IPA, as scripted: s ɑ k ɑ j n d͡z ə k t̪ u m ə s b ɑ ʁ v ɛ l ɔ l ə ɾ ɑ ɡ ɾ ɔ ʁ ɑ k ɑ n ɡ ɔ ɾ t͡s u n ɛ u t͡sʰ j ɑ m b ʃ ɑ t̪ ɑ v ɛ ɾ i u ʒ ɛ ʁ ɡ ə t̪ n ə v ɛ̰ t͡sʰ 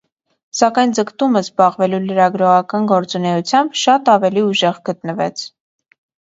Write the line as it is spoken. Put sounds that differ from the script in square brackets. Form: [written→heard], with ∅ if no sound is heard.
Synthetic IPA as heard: s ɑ k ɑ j n d͡z ə k t̪ u m ə [s→z] b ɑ ʁ v ɛ l [ɔ→u] l ə ɾ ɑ ɡ ɾ ɔ ʁ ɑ k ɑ n ɡ ɔ ɾ t͡s u n ɛ u t͡sʰ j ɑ m b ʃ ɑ t̪ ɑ v ɛ [ɾ→l] i u ʒ ɛ ʁ ɡ ə t̪ n ə v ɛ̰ t͡sʰ